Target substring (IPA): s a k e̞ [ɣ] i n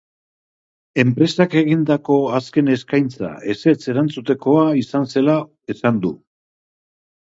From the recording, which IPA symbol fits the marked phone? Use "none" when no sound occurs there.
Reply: ɣ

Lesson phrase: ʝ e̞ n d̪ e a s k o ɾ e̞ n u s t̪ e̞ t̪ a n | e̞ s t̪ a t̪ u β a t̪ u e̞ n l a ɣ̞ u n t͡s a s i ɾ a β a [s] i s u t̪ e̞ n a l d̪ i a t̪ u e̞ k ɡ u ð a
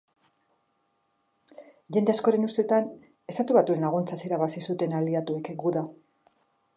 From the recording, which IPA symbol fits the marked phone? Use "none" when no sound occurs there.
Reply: s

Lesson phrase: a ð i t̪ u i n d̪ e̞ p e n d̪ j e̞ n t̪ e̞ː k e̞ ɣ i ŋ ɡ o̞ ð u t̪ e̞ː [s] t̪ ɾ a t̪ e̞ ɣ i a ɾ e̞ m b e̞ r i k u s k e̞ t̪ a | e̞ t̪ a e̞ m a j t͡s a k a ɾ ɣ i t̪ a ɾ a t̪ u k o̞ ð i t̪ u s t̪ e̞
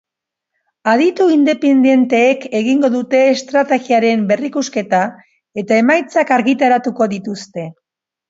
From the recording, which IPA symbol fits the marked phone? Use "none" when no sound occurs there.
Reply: s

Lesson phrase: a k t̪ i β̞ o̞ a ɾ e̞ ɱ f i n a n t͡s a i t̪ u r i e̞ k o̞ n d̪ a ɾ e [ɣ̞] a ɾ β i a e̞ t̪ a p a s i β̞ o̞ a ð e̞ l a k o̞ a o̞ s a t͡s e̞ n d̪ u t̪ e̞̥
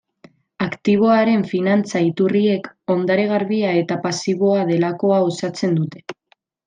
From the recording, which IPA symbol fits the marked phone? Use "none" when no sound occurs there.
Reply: ɣ̞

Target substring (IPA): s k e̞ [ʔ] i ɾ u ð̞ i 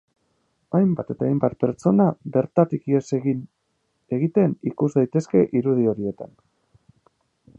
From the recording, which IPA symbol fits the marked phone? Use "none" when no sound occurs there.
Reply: ʔ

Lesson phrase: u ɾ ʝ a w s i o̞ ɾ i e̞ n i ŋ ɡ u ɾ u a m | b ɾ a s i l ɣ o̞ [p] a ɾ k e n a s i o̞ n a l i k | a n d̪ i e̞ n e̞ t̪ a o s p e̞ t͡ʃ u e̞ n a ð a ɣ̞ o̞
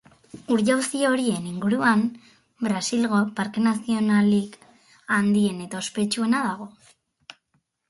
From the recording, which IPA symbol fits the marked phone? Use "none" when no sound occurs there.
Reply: p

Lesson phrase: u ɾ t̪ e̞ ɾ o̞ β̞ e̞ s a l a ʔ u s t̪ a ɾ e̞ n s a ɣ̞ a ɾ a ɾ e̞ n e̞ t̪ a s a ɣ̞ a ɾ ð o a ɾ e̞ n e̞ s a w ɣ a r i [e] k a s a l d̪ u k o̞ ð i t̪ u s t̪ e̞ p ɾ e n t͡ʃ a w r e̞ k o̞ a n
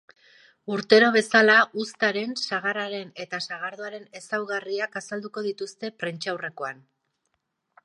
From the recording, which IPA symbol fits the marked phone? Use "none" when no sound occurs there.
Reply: a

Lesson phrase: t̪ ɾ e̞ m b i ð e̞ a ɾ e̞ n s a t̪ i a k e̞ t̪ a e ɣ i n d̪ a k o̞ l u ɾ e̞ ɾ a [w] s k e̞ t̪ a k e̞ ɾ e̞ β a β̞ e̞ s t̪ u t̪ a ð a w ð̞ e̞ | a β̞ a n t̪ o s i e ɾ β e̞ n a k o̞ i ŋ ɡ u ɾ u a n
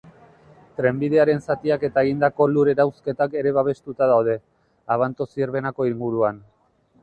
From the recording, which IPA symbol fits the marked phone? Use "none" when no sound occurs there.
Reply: w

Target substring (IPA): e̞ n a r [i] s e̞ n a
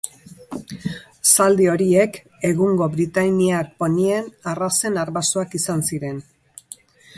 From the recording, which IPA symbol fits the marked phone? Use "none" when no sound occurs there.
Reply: a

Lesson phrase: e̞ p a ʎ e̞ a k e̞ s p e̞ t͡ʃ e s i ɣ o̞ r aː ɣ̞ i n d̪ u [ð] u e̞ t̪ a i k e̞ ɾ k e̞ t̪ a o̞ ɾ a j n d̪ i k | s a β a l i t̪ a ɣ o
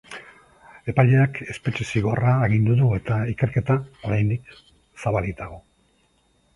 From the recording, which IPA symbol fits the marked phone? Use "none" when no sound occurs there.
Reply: ð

